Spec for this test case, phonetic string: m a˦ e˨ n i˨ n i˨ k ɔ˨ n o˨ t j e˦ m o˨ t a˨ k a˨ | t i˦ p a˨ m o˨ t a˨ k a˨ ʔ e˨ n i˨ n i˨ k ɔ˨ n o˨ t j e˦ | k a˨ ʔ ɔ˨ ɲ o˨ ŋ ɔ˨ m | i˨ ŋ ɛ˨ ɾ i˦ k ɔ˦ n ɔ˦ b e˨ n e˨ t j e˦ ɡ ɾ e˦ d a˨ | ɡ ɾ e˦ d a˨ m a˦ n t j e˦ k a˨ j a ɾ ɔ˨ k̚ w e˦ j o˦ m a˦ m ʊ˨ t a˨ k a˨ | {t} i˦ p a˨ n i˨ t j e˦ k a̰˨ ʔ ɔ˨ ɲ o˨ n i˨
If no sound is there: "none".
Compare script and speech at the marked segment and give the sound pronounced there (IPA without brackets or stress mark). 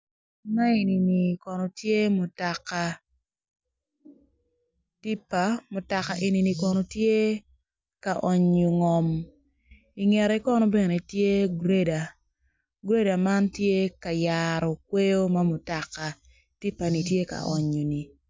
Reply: t